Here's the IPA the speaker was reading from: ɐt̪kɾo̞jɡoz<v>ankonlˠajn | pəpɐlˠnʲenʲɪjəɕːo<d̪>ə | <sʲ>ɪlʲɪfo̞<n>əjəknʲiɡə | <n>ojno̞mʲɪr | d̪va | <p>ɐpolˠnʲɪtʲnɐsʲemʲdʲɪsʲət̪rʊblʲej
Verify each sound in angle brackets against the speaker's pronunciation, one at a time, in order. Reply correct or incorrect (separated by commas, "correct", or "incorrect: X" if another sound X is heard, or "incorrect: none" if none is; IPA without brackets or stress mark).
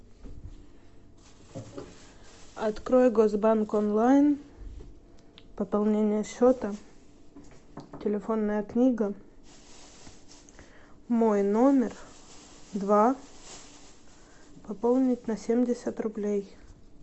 incorrect: b, incorrect: t̪, incorrect: tʲ, incorrect: nː, incorrect: m, correct